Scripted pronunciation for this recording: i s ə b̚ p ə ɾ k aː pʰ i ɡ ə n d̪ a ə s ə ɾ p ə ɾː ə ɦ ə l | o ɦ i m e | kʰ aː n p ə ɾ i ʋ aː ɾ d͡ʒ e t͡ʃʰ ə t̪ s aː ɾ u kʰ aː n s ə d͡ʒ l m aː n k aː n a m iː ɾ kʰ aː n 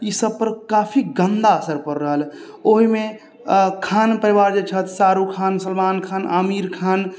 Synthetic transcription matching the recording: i s ə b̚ p ə ɾ k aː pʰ i ɡ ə n d̪ a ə s ə ɾ p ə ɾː ə ɦ ə l | o ɦ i m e | kʰ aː n p ə ɾ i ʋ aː ɾ d͡ʒ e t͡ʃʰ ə t̪ s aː ɾ u kʰ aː n s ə l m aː n kʰ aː n a m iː ɾ kʰ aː n